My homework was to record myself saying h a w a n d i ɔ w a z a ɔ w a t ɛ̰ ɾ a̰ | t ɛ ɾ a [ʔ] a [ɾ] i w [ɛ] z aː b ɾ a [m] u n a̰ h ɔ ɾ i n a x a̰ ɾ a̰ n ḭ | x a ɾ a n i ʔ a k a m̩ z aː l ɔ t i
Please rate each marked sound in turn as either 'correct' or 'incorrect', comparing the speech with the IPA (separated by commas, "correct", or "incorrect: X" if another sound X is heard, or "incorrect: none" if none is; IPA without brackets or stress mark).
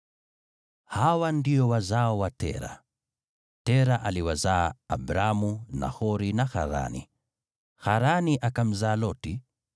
correct, incorrect: l, incorrect: a, correct